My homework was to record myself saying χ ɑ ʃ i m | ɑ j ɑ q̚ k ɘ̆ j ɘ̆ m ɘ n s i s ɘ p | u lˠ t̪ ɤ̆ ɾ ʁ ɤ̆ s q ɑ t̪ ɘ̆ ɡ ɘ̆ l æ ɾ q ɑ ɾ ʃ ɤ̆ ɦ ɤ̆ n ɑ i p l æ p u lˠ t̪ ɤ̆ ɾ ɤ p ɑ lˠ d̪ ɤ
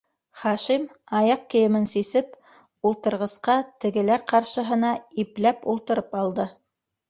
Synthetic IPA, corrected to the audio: χ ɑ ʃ i m | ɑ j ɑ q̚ k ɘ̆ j ɘ̆ m ɘ n s i s ɘ p | u lˠ t̪ ɤ̆ ɾ ʁ ɤ̆ s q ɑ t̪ ɘ̆ ɡ ɘ̆ l æ ɾ q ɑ ɾ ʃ ɤ̆ ɦ ɤ̆ n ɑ i p l æ p u lˠ t̪ ɤ̆ ɾ ɤ p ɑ lˠ d̪ ɤ